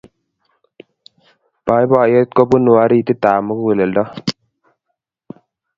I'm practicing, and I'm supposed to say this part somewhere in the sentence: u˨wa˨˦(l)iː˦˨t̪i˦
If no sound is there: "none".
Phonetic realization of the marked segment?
ɾ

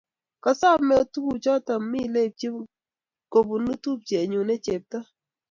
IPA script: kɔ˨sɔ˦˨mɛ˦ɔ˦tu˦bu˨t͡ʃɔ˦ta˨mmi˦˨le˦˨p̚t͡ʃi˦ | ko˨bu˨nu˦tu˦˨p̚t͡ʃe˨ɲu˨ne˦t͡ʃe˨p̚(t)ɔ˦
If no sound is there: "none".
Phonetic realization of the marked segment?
t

